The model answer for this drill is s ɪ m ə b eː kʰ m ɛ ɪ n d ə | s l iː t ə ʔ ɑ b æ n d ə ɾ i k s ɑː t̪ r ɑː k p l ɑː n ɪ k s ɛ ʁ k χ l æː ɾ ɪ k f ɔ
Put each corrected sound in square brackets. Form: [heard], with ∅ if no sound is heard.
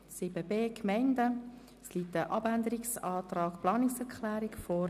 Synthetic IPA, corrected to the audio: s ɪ [b] ə b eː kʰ m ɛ ɪ n d ə | s l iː t ə ʔ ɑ b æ n d ə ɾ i k s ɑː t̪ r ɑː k p l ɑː n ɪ k s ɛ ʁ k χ l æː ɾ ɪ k f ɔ